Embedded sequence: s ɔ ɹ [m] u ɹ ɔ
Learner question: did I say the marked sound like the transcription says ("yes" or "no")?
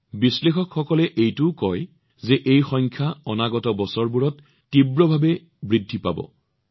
no